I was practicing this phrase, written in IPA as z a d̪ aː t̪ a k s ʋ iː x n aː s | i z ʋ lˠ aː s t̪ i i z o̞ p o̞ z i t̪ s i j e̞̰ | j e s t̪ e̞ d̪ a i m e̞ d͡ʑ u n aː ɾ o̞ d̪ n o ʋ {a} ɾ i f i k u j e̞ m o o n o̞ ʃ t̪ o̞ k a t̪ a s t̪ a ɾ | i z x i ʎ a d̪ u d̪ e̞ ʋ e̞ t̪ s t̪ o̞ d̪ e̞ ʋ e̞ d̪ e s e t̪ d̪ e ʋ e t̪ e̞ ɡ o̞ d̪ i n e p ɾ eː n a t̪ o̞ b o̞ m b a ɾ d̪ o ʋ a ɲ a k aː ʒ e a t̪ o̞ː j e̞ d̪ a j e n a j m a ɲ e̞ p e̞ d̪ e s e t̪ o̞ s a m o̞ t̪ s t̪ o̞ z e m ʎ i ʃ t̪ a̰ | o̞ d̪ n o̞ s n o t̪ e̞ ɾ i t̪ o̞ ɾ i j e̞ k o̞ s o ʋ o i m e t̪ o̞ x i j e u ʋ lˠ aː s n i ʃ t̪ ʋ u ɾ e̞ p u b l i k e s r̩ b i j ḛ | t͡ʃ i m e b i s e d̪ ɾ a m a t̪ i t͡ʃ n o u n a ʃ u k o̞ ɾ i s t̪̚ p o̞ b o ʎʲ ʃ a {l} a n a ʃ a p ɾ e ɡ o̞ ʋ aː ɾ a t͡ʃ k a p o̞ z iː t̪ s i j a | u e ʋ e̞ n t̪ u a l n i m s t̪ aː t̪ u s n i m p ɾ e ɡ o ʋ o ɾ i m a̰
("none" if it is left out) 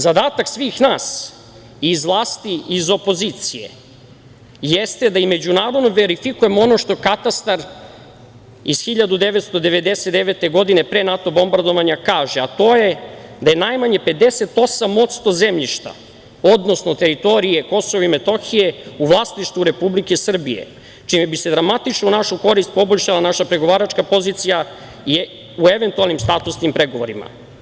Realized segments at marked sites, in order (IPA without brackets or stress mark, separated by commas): e, l